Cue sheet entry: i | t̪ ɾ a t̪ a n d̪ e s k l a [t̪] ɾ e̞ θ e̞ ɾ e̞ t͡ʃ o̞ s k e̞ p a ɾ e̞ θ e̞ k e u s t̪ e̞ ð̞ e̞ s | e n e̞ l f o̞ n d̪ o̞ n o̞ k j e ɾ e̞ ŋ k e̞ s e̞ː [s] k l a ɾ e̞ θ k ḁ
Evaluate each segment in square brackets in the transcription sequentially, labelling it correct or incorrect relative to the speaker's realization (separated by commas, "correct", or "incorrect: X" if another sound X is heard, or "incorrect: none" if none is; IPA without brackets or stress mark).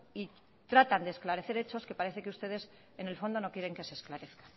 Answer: incorrect: none, correct